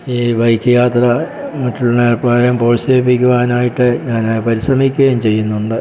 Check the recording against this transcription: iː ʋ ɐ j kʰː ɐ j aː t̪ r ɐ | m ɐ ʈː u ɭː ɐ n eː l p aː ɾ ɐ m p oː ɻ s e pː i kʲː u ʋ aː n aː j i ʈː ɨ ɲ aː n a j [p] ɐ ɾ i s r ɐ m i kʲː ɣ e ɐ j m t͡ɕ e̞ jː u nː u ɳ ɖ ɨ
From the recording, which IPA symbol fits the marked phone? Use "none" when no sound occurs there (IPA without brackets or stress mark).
p